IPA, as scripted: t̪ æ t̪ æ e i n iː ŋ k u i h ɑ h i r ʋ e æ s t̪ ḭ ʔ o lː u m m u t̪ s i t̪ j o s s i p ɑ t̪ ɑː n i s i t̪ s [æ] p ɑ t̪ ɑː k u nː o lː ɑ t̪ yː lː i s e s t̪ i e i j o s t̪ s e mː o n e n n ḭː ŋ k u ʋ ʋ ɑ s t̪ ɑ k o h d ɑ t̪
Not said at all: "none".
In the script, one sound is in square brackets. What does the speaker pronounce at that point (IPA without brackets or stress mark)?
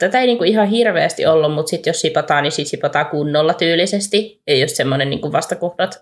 i